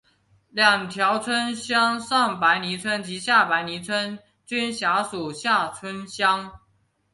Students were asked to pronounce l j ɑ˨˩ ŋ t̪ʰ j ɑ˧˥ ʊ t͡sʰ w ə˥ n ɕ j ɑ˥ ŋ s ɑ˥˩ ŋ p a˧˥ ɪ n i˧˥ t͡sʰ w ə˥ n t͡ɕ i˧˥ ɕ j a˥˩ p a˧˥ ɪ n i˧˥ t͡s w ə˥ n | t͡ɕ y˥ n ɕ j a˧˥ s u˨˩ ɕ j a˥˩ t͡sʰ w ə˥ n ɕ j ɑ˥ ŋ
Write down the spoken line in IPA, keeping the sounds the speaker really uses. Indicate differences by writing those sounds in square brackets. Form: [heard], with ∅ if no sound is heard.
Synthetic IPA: l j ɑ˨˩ ŋ t̪ʰ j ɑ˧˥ ʊ t͡sʰ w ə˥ n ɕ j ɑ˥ ŋ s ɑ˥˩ ŋ p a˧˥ ɪ n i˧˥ t͡sʰ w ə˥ n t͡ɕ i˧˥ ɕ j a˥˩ p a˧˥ ɪ n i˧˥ [t͡sʰ] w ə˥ n | t͡ɕ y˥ n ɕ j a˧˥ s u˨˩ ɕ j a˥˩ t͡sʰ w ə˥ n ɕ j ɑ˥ ŋ